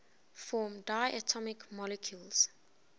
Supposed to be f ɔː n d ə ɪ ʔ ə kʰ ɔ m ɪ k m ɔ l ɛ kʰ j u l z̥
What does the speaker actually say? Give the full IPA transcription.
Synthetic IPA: f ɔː m d a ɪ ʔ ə tʰ ɔ m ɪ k m ɔ l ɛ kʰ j u l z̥